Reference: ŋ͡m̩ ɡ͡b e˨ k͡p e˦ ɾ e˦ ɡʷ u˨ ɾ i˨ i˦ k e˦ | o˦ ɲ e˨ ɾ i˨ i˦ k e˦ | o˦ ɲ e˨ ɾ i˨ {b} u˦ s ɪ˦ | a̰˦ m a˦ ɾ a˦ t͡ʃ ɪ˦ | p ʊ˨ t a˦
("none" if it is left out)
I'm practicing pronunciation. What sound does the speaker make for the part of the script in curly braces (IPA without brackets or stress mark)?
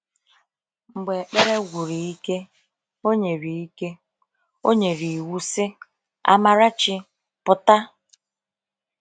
w